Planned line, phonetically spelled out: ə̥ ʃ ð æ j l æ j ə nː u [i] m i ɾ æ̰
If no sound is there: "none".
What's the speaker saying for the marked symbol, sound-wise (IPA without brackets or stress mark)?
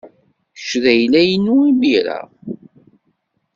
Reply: i